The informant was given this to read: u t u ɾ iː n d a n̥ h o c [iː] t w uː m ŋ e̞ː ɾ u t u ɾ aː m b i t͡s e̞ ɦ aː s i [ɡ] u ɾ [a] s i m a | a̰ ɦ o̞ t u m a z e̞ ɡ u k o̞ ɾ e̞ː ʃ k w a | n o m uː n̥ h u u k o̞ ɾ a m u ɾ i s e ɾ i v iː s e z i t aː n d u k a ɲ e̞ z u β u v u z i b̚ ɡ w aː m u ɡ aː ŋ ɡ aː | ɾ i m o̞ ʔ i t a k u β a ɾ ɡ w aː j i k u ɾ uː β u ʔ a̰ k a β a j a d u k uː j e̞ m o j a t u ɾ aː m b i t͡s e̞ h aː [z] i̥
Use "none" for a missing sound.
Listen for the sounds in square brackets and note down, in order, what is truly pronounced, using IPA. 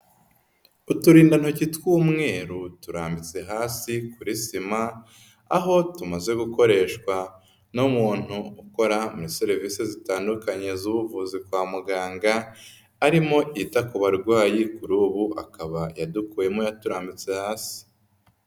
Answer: i, k, i, s

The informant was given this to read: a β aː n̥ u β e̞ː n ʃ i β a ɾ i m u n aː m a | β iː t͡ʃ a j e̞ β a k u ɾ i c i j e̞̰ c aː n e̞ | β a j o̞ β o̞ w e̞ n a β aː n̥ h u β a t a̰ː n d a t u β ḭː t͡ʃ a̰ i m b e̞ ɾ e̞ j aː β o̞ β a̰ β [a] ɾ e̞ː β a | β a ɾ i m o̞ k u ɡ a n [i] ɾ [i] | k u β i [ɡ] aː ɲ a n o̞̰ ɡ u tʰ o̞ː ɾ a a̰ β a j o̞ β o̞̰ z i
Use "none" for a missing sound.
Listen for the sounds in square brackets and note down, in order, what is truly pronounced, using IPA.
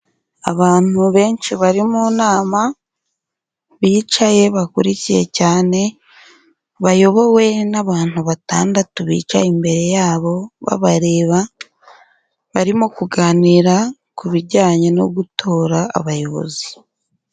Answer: a, i, a, ɟ

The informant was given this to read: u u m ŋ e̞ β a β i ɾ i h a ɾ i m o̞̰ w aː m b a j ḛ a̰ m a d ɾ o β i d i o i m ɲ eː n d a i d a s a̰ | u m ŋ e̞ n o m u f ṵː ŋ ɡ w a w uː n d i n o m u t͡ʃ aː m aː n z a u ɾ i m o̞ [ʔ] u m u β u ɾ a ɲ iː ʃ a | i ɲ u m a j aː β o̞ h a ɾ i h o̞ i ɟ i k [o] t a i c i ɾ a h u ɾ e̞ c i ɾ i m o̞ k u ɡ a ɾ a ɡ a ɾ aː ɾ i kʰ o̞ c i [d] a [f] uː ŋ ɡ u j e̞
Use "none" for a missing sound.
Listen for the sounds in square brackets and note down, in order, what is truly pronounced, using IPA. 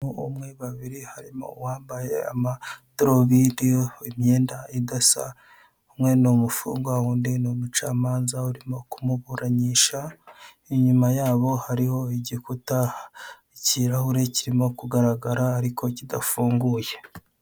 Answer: k, u, d, f

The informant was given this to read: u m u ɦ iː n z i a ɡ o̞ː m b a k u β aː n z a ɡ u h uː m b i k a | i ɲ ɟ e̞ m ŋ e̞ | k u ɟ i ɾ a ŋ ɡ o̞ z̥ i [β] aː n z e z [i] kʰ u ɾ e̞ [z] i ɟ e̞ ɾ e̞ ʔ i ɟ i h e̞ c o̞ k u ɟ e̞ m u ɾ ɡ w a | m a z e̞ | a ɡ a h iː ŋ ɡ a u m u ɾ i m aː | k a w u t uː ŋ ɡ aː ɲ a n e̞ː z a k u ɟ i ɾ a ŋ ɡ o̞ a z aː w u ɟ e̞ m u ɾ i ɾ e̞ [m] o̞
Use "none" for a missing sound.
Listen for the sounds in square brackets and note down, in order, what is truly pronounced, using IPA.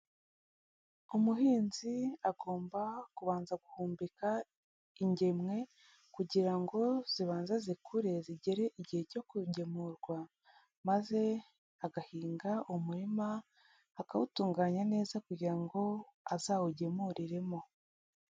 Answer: β, i, z, m

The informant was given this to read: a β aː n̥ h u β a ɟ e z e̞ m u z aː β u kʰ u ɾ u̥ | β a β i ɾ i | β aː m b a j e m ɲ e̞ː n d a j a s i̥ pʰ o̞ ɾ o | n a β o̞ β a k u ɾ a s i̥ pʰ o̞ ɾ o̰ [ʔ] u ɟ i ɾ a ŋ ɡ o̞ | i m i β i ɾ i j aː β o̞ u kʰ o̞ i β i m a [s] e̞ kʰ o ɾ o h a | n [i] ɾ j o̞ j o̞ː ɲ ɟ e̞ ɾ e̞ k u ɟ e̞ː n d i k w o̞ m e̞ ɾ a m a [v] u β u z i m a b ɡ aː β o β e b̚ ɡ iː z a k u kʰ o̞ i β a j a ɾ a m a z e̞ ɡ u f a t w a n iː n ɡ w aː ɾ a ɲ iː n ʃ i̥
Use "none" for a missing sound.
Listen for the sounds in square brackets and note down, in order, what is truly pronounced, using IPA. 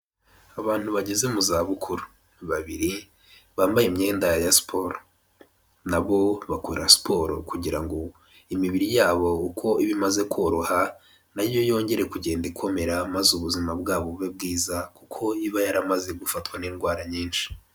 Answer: k, z, a, z

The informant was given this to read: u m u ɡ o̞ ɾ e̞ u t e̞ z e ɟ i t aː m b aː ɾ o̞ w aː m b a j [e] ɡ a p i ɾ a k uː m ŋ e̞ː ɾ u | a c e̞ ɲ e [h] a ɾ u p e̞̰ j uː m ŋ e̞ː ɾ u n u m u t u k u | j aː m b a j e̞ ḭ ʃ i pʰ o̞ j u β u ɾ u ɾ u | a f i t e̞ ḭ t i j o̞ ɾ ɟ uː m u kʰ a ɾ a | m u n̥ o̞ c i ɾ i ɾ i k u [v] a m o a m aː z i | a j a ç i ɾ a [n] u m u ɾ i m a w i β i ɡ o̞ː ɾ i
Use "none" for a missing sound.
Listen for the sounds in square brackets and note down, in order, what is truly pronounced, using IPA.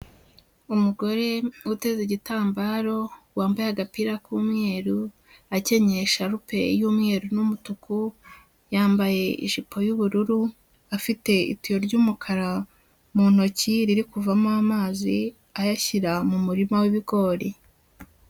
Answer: a, ʃ, v, m

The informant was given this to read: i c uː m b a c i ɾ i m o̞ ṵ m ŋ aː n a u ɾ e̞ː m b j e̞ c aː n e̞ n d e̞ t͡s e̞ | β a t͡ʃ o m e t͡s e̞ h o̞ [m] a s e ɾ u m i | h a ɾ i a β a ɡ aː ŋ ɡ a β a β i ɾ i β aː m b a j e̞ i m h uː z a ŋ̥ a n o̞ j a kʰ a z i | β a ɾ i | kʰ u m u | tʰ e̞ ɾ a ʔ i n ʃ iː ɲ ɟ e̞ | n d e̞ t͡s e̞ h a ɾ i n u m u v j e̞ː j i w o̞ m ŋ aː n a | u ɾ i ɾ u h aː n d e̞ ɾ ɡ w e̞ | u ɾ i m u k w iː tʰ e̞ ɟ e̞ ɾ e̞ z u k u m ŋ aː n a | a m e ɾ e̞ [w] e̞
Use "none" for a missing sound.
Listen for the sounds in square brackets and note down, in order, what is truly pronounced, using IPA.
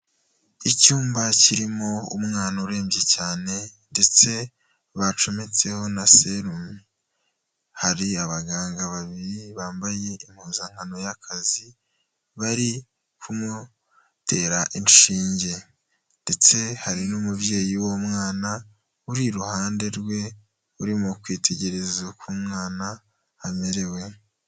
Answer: n, w

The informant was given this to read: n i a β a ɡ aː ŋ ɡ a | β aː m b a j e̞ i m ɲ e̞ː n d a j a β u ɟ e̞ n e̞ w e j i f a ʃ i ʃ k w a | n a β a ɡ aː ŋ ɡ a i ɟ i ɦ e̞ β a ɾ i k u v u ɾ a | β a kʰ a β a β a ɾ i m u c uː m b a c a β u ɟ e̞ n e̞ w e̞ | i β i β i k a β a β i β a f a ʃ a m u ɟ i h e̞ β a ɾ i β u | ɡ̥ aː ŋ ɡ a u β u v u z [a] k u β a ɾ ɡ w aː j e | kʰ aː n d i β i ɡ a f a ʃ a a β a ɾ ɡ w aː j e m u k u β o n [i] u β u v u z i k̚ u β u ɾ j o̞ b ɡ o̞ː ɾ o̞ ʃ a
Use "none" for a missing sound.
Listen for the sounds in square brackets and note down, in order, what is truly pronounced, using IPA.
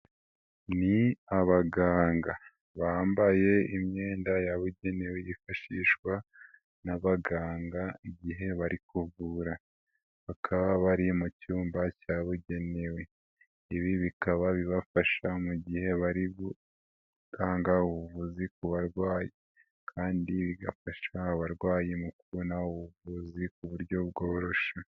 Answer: i, a

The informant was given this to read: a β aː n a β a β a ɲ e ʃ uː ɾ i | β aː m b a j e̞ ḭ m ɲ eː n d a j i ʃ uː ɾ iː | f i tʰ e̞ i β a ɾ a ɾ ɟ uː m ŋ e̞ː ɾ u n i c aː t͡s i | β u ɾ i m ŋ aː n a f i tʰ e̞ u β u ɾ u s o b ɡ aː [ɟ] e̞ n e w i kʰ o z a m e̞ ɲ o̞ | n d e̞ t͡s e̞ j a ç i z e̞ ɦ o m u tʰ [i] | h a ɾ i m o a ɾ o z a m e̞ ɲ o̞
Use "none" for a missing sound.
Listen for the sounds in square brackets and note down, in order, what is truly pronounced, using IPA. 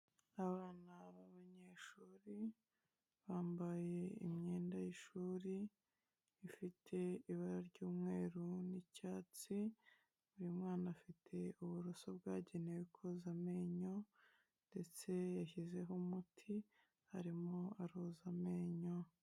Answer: ɟ, i

